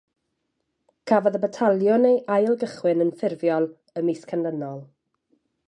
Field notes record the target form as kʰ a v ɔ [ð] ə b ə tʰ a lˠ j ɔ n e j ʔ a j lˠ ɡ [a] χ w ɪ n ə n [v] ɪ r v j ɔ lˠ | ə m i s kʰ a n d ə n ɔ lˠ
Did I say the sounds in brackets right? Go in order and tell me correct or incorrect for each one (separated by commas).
correct, incorrect, incorrect